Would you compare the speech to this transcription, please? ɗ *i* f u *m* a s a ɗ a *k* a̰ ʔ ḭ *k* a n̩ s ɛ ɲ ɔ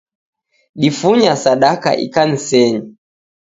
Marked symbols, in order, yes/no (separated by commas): yes, no, yes, yes